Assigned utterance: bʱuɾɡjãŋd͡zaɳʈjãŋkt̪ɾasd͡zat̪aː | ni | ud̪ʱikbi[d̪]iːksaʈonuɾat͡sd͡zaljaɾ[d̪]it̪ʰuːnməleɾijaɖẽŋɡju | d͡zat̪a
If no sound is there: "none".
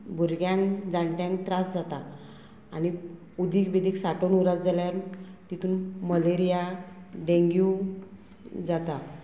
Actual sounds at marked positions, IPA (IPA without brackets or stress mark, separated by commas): d̪, t̪